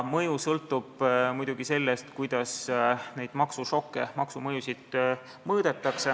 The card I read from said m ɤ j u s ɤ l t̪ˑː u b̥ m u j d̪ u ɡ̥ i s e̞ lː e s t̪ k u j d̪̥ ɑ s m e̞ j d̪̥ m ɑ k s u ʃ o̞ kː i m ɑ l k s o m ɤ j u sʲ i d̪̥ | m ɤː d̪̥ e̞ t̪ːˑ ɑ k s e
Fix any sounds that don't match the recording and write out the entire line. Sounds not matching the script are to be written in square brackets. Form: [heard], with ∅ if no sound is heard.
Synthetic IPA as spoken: m ɤ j u s ɤ l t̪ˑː u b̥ m u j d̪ u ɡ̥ i s e̞ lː e s t̪ k u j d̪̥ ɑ s [n] e̞ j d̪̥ m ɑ k s u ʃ o̞ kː [e] m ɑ [∅] k s [u] m ɤ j u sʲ i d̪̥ | m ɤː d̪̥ e̞ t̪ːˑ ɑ k s e